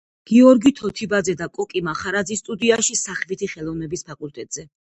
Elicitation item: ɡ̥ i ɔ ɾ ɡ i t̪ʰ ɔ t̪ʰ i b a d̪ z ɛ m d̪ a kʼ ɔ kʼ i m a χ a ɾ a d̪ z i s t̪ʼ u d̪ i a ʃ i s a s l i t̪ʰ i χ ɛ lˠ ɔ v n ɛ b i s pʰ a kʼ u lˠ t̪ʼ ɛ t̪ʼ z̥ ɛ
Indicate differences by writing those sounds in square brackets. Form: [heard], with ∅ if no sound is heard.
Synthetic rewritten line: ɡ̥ i ɔ ɾ ɡ i t̪ʰ ɔ t̪ʰ i b a d̪ z ɛ [∅] d̪ a kʼ ɔ kʼ i m a χ a ɾ a d̪ z i s t̪ʼ u d̪ i a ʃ i s a [χ] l i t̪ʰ i χ ɛ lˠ ɔ v n ɛ b i s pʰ a kʼ u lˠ t̪ʼ ɛ t̪ʼ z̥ ɛ